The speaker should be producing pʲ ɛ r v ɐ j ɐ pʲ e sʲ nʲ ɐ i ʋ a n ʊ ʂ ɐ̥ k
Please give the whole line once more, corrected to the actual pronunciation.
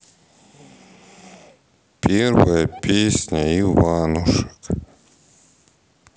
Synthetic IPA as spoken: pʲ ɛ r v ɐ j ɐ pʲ e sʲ nʲ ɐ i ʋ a n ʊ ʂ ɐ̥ k